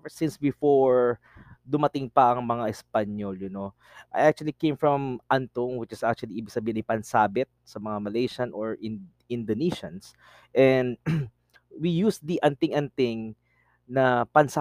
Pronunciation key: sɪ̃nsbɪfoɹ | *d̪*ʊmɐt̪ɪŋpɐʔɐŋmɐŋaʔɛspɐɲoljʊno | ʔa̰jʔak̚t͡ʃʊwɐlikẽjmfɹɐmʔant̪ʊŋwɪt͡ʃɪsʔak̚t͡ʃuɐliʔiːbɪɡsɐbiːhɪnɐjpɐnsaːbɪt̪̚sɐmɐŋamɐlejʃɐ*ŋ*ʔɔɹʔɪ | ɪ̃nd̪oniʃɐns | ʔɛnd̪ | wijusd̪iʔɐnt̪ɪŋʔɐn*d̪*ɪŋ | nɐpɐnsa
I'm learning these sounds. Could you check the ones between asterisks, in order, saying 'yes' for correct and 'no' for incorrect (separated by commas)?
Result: yes, no, no